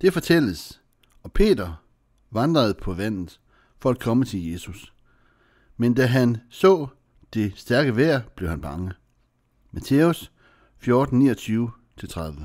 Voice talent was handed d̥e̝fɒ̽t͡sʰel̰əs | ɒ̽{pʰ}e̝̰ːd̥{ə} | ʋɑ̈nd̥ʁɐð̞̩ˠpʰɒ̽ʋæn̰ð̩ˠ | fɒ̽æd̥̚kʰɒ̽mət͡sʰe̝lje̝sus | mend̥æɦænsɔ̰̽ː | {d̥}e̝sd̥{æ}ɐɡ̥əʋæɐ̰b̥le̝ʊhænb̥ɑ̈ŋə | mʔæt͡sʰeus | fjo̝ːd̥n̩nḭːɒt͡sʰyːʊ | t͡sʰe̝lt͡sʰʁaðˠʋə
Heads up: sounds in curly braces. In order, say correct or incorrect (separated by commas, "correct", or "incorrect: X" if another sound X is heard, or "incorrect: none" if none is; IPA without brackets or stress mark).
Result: correct, incorrect: ɐ, correct, correct